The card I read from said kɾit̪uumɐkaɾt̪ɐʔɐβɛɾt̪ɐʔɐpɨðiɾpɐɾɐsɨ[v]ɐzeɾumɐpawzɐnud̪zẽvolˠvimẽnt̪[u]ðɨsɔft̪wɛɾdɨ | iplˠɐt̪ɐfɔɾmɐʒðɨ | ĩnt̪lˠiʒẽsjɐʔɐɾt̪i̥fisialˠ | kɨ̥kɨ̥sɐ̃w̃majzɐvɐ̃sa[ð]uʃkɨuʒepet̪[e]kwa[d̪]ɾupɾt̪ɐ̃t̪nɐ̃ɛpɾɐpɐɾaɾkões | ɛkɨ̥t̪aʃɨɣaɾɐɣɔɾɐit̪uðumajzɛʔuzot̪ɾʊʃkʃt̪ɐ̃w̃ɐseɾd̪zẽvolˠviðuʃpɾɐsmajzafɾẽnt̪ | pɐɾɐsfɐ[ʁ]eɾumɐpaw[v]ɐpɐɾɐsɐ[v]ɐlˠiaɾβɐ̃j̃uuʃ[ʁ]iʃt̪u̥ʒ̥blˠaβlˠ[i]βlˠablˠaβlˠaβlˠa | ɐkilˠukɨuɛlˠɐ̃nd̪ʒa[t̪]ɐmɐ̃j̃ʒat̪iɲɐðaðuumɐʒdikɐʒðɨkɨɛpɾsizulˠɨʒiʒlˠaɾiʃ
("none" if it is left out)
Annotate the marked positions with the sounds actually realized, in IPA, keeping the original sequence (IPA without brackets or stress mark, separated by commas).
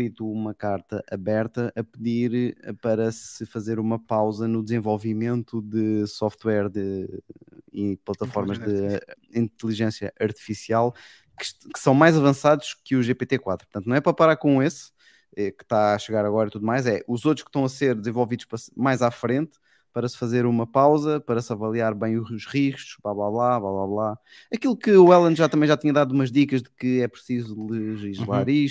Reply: f, u, ð, e, t̪, z, z, v, ʁ, a, t̪